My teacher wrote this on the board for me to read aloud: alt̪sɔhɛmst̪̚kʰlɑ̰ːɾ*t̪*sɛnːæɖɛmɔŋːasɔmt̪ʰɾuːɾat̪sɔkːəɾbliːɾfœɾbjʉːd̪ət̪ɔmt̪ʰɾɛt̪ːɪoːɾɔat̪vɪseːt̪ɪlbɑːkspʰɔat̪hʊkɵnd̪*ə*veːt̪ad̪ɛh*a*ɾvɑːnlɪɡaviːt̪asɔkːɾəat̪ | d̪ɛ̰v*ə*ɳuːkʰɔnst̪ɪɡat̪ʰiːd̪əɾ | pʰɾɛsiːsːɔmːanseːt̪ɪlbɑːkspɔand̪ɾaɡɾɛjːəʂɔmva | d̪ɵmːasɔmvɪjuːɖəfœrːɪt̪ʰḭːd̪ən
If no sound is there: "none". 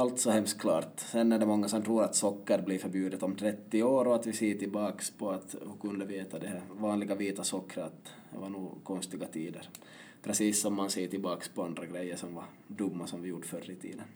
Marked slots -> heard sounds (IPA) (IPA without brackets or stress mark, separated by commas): t̪, ə, æ, a